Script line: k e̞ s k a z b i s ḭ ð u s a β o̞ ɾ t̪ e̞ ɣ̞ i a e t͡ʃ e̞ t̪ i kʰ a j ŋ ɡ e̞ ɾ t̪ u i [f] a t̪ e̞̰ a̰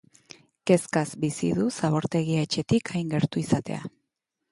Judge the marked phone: incorrect: s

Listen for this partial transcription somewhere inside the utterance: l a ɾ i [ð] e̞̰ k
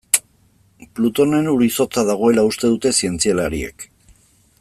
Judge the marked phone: incorrect: none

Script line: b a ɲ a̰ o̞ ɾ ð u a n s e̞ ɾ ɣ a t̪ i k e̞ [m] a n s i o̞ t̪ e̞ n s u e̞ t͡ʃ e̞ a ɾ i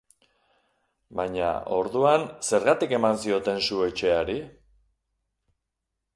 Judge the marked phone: correct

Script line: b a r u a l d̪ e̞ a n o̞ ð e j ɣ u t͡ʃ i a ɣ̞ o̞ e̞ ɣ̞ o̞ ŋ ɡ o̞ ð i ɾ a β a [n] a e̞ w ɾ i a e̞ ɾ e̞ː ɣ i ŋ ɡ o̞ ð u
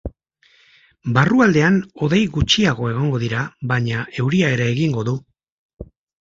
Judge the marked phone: incorrect: ɲ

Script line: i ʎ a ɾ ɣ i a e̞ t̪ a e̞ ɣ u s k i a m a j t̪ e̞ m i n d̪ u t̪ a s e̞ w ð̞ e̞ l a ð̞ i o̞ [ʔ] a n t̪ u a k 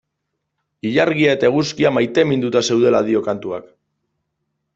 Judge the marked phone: incorrect: k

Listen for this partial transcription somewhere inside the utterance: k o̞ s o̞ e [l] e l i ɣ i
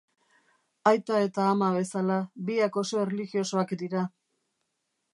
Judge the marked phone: incorrect: r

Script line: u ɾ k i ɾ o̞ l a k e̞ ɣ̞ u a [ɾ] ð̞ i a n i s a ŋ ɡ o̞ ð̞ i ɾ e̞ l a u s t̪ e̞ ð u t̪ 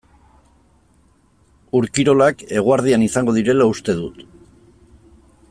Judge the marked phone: correct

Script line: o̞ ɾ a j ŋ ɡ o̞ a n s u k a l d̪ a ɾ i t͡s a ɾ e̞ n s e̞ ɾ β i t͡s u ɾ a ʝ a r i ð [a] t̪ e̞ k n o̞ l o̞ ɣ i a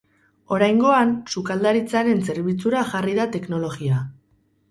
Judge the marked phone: correct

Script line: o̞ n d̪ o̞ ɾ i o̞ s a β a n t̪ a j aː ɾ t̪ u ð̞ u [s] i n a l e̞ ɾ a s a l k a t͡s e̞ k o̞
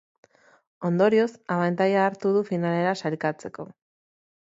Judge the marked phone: incorrect: f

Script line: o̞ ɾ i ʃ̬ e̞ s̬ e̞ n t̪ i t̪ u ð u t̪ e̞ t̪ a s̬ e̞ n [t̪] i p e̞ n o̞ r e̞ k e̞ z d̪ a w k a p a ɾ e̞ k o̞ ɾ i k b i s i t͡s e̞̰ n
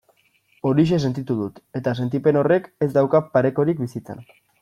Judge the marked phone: correct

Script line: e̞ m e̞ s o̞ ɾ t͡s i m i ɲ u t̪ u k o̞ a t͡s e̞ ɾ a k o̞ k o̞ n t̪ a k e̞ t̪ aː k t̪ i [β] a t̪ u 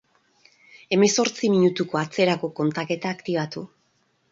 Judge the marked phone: correct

